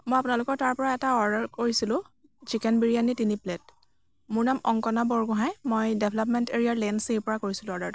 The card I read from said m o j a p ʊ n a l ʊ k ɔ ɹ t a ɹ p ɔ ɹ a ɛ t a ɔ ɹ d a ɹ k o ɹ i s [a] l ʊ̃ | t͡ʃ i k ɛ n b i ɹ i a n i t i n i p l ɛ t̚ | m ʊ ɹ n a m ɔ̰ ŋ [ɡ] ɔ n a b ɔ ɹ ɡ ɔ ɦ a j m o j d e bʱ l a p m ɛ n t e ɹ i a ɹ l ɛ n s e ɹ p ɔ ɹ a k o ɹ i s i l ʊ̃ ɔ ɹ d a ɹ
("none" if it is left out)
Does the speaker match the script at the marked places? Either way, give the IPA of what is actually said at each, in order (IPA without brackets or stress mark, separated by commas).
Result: i, k